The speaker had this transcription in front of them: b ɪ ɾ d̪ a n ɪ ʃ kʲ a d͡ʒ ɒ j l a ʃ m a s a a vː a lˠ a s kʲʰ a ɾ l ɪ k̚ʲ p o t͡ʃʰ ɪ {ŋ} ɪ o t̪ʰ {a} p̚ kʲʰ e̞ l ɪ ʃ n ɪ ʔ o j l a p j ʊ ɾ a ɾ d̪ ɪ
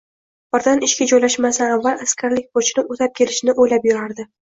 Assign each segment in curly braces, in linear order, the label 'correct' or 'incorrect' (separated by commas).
incorrect, correct